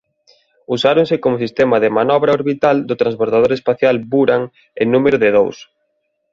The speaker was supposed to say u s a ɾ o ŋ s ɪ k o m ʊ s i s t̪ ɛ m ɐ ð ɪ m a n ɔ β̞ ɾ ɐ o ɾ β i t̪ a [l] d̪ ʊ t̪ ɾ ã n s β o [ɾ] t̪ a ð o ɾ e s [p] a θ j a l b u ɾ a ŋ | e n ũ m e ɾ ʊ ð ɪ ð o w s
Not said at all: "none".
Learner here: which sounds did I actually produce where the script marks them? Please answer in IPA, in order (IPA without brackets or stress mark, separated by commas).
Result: l, ɾ, p